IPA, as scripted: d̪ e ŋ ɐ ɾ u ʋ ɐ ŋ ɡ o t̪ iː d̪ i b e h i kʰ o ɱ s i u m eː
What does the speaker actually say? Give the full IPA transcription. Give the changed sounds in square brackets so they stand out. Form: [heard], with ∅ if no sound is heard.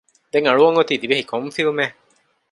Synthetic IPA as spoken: d̪ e ŋ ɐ [ɭ] u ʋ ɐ ŋ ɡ o t̪ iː d̪ i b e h i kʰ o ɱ [f] i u m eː